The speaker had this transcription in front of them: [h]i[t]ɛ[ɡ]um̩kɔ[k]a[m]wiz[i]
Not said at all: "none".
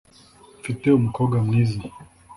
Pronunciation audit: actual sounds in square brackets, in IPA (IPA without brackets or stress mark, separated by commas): f, t, none, ɡ, m, i